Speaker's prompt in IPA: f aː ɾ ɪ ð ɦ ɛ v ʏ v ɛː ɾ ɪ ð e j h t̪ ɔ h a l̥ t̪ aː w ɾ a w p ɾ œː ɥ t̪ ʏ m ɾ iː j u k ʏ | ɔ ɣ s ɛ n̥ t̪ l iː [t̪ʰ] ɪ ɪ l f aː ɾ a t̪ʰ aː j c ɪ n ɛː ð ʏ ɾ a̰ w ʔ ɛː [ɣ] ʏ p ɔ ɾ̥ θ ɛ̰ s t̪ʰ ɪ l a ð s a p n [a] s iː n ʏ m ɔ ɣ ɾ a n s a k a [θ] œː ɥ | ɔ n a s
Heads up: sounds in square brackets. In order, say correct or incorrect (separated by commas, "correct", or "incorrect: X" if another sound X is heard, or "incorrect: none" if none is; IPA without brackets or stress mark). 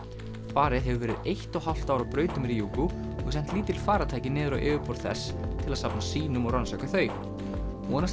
incorrect: t̪, incorrect: v, correct, correct